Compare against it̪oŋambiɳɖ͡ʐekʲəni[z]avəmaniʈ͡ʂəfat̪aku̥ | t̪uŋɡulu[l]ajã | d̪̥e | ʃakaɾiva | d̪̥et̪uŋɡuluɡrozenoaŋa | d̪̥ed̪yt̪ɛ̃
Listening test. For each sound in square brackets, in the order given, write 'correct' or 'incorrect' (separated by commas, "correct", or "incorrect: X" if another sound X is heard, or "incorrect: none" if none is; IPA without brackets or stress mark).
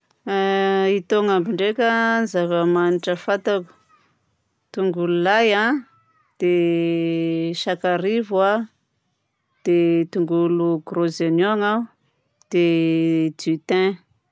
correct, correct